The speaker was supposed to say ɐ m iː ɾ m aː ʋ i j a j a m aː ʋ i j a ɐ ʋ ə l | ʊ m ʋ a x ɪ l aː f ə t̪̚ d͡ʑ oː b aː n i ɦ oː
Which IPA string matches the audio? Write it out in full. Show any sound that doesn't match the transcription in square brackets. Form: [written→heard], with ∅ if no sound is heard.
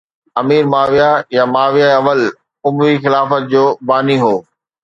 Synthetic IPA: ɐ m iː ɾ m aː ʋ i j a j a m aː ʋ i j a ɐ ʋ ə l | ʊ m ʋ [a→i] x ɪ l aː f ə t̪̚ d͡ʑ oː b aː n i ɦ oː